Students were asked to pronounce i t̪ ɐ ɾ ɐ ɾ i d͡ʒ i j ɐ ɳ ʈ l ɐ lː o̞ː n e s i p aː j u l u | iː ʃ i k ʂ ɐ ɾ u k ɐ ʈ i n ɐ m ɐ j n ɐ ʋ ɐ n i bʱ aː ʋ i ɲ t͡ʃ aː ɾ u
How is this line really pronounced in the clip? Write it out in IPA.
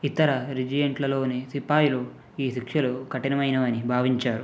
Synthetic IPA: i t̪ ɐ ɾ ɐ ɾ i d͡ʒ i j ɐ ɳ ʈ l ɐ l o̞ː n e s i p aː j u l u | iː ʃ i k ʂ ɐ l u k ɐ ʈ i n ɐ m ɐ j n ɐ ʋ ɐ n i bʱ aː ʋ i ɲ t͡ʃ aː ɾ u